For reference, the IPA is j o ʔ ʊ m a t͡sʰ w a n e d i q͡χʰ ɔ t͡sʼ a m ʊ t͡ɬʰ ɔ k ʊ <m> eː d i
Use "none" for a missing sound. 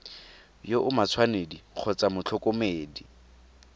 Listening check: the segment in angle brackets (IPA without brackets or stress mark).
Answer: m